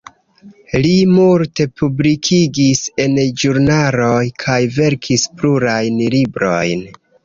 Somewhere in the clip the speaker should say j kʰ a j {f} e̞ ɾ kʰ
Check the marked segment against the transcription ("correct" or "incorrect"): incorrect